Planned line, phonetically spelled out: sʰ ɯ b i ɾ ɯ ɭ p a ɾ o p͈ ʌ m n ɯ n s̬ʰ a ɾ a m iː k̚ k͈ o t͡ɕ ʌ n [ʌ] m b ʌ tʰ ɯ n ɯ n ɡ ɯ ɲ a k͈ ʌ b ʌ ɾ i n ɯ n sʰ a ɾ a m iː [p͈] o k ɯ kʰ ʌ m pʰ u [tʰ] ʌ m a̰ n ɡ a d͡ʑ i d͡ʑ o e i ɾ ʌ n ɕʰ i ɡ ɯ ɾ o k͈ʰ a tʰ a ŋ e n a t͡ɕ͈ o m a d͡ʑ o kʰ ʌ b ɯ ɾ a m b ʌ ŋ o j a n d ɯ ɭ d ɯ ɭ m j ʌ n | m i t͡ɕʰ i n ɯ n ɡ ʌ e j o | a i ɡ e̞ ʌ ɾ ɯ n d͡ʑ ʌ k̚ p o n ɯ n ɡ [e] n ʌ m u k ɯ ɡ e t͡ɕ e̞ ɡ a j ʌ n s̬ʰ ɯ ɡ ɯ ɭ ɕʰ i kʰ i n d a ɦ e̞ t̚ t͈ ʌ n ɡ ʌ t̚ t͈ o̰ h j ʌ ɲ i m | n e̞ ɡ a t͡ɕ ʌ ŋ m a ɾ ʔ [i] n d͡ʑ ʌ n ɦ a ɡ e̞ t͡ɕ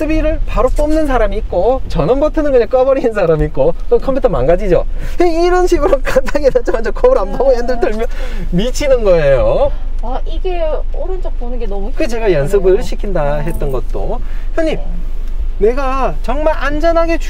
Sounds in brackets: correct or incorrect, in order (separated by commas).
correct, incorrect, correct, correct, incorrect